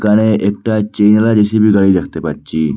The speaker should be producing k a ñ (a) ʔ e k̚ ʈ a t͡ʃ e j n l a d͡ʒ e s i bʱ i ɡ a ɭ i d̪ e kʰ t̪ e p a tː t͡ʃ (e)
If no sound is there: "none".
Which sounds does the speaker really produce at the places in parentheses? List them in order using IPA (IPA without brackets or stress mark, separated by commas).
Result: e, i